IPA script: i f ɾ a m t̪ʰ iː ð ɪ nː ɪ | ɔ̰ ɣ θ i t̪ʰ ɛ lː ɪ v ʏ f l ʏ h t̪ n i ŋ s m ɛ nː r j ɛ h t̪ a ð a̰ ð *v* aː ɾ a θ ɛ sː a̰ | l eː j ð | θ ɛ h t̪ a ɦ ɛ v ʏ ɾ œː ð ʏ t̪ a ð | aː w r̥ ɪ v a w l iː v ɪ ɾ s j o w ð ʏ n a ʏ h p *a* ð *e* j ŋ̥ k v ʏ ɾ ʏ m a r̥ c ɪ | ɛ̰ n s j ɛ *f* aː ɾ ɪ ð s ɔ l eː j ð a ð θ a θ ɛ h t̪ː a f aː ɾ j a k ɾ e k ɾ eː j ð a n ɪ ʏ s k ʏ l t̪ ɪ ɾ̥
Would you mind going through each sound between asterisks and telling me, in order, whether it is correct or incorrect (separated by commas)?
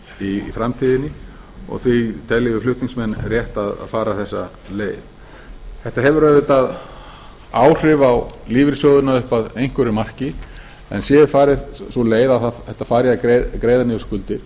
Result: incorrect, correct, correct, correct